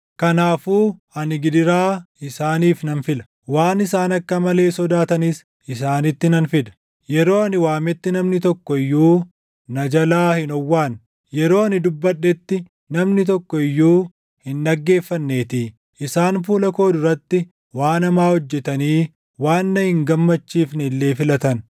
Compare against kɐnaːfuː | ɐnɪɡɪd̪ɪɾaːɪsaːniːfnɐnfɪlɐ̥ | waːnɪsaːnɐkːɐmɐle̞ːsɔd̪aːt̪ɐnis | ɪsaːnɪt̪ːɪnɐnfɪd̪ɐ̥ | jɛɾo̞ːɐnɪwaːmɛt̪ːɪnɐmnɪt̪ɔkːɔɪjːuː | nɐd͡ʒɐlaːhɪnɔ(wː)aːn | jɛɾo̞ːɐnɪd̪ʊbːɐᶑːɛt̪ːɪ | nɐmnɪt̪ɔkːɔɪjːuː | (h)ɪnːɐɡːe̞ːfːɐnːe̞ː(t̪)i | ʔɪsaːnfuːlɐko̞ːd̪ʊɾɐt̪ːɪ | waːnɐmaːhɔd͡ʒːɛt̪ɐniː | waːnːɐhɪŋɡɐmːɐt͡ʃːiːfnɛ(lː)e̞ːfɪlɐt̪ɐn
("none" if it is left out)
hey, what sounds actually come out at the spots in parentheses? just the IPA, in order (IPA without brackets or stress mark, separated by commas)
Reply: wː, h, t̪, lː